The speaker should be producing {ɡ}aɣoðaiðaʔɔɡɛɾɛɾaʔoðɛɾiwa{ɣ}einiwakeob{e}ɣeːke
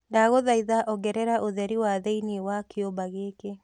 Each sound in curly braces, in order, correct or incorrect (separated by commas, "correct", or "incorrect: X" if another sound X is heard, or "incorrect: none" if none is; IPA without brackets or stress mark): incorrect: d, incorrect: ð, incorrect: a